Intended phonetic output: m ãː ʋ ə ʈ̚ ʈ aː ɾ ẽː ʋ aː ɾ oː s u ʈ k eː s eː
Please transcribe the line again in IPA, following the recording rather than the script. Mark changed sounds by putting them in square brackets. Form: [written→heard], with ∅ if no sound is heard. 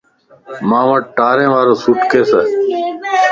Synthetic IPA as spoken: m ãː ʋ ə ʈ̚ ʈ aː ɾ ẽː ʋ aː ɾ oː s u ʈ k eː s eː